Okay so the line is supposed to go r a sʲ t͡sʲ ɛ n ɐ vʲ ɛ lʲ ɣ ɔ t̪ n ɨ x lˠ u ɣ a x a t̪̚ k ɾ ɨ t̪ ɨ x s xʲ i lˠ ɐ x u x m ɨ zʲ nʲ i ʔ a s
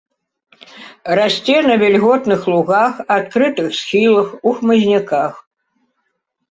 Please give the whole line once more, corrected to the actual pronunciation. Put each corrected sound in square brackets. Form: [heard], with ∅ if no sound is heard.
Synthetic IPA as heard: r a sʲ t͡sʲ ɛ n ɐ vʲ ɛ lʲ ɣ ɔ t̪ n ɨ x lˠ u ɣ a x a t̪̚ k ɾ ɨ t̪ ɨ x s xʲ i lˠ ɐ x u x m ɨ zʲ nʲ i [k] a [x]